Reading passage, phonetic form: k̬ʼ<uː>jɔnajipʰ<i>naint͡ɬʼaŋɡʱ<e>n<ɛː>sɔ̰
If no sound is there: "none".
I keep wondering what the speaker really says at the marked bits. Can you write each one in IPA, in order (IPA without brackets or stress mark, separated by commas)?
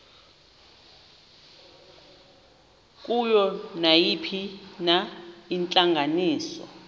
u, i, a, iː